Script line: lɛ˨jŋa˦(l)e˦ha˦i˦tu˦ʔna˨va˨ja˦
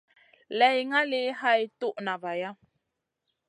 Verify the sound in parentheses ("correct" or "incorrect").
correct